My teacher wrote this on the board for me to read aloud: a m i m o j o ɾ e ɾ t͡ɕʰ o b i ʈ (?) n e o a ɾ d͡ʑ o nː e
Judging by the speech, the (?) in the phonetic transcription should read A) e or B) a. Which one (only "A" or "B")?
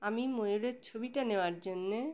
B